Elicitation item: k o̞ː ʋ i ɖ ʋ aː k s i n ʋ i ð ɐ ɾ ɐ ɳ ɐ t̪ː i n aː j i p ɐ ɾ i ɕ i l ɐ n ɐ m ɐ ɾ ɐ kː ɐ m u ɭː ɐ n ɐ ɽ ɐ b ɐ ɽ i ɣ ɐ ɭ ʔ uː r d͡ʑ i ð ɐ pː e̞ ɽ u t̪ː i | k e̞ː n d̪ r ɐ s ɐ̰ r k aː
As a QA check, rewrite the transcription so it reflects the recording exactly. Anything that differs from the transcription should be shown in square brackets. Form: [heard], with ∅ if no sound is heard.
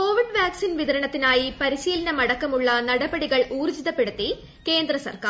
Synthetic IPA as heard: k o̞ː ʋ i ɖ ʋ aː k s i n ʋ i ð ɐ ɾ ɐ ɳ ɐ t̪ː i n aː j i p ɐ ɾ i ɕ [iː] l ɐ n ɐ m ɐ [ɽ] ɐ kː ɐ m u ɭː ɐ n ɐ ɽ ɐ b ɐ ɽ i ɣ ɐ ɭ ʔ uː r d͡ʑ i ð ɐ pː e̞ ɽ u t̪ː i | k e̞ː n d̪ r ɐ s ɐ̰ r k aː